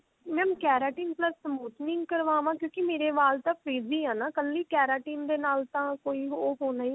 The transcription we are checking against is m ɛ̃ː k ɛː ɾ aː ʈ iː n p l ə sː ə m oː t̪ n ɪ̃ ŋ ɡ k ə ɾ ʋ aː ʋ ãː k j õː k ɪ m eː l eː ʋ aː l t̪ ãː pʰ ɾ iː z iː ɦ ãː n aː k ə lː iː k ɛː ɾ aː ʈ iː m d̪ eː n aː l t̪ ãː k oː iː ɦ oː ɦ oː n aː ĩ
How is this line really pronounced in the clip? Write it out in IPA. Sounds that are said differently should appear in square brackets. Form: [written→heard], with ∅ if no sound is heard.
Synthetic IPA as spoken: m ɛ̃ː k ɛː ɾ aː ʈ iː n p l ə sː ə m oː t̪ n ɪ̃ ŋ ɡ k ə ɾ ʋ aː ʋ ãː k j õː k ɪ m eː [l→ɾ] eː ʋ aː l t̪ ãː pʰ ɾ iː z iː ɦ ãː n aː k ə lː iː k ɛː ɾ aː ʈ iː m d̪ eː n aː l t̪ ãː k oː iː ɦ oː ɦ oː n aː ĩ